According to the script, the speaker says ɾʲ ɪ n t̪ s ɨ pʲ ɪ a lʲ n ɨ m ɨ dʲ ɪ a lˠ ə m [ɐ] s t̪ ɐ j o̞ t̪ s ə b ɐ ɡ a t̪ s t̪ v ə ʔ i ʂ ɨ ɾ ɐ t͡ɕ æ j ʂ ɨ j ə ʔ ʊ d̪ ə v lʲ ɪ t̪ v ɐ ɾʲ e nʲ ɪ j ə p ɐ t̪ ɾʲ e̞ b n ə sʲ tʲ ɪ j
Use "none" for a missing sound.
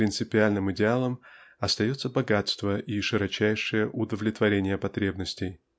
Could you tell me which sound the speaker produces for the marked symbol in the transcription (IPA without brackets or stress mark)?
ɐ